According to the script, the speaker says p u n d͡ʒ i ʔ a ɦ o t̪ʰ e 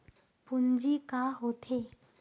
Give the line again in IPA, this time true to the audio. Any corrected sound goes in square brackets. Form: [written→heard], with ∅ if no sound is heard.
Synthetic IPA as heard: p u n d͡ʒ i [ʔ→k] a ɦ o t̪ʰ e

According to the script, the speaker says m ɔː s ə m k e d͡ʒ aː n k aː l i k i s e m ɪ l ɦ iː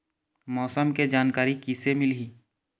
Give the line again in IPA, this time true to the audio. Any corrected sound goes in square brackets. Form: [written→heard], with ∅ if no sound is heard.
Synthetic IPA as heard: m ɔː s ə m k e d͡ʒ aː n k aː [l→ɾ] i k i s e m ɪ l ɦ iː

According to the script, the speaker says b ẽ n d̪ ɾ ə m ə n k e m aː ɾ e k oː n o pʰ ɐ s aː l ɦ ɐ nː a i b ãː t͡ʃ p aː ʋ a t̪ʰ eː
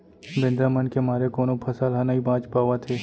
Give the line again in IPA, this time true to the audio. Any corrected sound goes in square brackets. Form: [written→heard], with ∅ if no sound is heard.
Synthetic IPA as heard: b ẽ n d̪ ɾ [ə→a] m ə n k e m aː ɾ e k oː n o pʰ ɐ s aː l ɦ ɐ [nː→n] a i b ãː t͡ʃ p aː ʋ a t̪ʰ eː

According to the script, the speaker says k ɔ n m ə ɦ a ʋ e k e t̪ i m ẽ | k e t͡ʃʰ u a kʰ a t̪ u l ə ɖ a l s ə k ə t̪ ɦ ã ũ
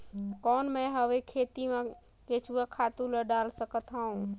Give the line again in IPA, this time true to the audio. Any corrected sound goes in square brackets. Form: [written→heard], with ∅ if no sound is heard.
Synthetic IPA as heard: k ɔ n m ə ɦ [a→ə] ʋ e [k→kʰ] e t̪ i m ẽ | k e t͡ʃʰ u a kʰ a t̪ u l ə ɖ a l s ə k ə t̪ ɦ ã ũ

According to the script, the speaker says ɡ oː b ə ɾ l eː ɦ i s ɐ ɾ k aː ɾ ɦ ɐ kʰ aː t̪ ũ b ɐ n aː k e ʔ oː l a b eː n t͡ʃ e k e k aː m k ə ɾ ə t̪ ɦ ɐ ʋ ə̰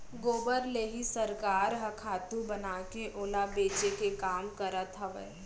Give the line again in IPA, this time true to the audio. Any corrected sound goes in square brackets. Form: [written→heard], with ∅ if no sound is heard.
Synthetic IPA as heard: ɡ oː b ə ɾ l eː ɦ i s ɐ ɾ k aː ɾ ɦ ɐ kʰ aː t̪ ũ b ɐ n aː k e ʔ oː l a b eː [n→∅] t͡ʃ e k e k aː m k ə ɾ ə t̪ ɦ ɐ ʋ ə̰

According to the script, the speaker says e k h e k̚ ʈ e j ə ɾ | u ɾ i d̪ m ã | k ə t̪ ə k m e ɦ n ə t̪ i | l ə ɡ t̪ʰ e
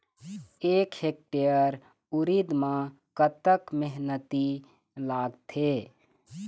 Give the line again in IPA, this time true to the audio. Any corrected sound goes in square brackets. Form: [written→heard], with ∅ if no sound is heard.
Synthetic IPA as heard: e k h e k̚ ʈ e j ə ɾ | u ɾ i d̪ m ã | k ə t̪ ə k m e ɦ n ə t̪ i | l [ə→a] ɡ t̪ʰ e

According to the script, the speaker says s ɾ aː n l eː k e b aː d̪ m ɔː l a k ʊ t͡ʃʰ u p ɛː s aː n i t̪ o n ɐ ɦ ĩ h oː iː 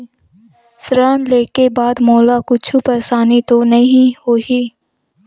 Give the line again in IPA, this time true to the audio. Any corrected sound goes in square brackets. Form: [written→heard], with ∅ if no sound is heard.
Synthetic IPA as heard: s ɾ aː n l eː k e b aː d̪ m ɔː l a k ʊ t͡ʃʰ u p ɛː s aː n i t̪ o n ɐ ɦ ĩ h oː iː

